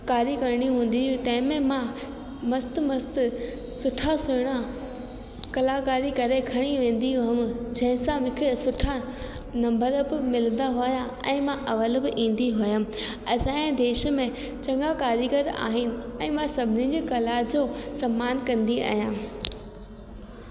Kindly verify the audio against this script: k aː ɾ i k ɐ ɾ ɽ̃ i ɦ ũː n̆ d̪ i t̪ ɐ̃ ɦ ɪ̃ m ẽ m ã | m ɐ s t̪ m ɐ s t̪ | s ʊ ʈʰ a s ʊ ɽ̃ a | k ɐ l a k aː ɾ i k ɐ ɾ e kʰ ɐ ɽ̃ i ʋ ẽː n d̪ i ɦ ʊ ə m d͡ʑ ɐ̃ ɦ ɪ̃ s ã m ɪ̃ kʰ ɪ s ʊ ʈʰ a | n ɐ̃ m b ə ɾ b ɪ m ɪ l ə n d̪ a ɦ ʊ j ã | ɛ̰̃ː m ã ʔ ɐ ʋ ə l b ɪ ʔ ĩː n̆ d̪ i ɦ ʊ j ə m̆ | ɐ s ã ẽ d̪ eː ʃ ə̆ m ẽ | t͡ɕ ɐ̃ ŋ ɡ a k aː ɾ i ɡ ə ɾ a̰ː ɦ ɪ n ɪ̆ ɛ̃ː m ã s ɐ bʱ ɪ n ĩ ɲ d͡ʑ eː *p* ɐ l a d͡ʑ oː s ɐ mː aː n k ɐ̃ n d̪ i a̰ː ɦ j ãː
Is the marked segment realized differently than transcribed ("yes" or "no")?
yes